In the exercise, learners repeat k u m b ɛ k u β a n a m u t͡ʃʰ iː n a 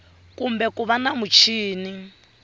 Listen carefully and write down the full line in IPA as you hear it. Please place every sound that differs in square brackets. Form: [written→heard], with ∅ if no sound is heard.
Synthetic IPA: k u m b ɛ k u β a n a m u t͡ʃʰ iː n [a→i]